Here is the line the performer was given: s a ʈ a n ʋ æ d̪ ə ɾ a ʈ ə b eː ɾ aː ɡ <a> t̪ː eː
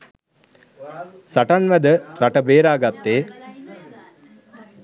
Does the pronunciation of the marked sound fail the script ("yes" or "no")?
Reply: no